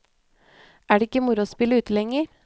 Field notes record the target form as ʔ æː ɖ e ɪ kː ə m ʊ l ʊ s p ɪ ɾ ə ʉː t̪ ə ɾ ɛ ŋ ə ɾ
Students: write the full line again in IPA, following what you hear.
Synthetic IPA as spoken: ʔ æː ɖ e ɪ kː ə m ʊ ɾ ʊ s p ɪ l ə ʉː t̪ ə l ɛ ŋ ə ɾ